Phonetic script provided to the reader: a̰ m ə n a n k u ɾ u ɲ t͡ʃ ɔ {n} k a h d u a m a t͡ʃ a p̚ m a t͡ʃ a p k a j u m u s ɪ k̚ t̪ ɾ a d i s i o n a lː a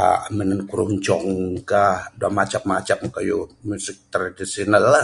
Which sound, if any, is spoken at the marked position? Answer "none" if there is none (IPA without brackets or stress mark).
ŋ